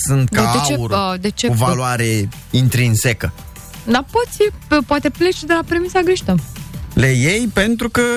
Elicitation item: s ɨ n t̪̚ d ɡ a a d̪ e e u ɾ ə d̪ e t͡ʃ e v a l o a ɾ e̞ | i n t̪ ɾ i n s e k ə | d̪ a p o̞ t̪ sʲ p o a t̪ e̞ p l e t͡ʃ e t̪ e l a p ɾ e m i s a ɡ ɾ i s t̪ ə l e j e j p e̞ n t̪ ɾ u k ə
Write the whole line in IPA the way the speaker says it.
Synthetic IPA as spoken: s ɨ n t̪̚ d k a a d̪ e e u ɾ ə d̪ e t͡ʃ e v a l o a ɾ e̞ | i n t̪ ɾ i n s e k ə | d̪ a p o̞ t̪ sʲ p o a t̪ e̞ p l e t͡ʃ e d̪ e l a p ɾ e m i s a ɡ ɾ i ʃ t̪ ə l e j e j p e̞ n t̪ ɾ u k ə